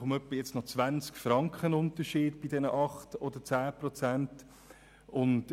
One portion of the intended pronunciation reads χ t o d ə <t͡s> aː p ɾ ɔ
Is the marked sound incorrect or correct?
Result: correct